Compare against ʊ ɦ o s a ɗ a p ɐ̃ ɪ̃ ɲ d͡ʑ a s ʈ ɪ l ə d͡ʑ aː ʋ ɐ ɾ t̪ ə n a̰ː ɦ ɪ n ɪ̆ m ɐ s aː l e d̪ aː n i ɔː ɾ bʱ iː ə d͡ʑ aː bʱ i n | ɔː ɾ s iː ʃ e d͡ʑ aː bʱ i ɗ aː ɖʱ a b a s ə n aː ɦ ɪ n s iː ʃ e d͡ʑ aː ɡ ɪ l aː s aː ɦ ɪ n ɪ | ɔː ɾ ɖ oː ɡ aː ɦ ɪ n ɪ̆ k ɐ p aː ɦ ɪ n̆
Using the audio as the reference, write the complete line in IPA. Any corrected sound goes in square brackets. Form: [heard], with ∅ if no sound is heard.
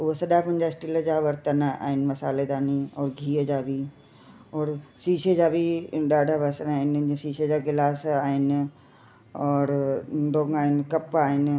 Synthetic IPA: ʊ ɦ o s [ɐ] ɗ a p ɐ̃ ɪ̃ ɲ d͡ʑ a s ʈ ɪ l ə d͡ʑ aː ʋ ɐ ɾ t̪ ə n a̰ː ɦ ɪ n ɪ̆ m ɐ s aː l e d̪ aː n i ɔː ɾ [ɡʱ] iː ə d͡ʑ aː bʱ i [∅] | ɔː ɾ s iː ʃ e d͡ʑ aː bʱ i ɗ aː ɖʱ a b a s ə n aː ɦ ɪ n s iː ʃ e d͡ʑ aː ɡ ɪ l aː s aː ɦ ɪ n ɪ | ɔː ɾ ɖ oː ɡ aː ɦ ɪ n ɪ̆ k ɐ p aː ɦ ɪ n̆

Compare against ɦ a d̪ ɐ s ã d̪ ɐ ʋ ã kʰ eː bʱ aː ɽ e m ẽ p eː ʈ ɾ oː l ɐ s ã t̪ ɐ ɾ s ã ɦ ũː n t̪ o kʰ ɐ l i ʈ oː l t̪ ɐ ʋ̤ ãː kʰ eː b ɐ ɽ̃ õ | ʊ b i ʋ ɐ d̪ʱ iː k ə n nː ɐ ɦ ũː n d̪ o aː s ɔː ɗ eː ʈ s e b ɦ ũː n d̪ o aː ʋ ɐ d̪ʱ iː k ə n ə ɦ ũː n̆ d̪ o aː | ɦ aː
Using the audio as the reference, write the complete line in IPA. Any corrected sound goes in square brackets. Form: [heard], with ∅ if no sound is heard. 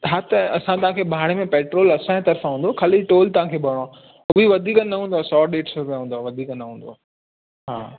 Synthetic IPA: ɦ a [t̪] ɐ s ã [t̪] ɐ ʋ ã kʰ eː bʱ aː ɽ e m ẽ p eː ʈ ɾ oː l ɐ s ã t̪ ɐ ɾ [f] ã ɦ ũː n [d̪] o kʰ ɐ l i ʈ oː l t̪ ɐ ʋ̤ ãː kʰ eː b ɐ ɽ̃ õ | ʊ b i ʋ ɐ d̪ʱ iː k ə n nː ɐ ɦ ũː n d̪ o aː s ɔː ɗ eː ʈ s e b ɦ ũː n d̪ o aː ʋ ɐ d̪ʱ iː k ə n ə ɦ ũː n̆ d̪ o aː | ɦ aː

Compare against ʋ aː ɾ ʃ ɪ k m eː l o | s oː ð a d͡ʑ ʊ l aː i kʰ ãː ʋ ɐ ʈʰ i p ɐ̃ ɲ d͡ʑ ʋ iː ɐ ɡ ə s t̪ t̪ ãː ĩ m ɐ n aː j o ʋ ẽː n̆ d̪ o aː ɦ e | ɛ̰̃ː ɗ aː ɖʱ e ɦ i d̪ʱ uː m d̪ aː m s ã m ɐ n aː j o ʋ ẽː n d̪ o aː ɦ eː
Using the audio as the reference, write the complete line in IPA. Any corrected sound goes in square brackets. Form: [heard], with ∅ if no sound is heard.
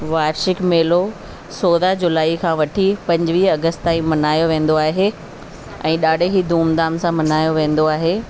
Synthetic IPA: ʋ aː ɾ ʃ ɪ k m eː l o | s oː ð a d͡ʑ ʊ l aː i kʰ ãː ʋ ɐ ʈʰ i p ɐ̃ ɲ d͡ʑ ʋ iː ɐ ɡ ə s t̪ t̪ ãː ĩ m ɐ n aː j o ʋ ẽː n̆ d̪ o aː ɦ e | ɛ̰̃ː ɗ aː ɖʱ e ɦ i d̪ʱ uː m d̪ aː m s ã m ɐ n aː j o ʋ ẽː n d̪ o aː ɦ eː

